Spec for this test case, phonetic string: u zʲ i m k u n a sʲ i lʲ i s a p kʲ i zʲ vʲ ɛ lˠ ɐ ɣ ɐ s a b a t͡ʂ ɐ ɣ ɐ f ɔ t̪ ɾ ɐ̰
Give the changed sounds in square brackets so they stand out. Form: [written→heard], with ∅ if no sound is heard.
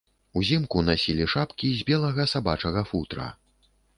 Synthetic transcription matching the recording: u zʲ i m k u n a sʲ i lʲ i [s→ʂ] a p kʲ i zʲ [vʲ→bʲ] ɛ lˠ ɐ ɣ ɐ s a b a t͡ʂ ɐ ɣ ɐ f [ɔ→u] t̪ ɾ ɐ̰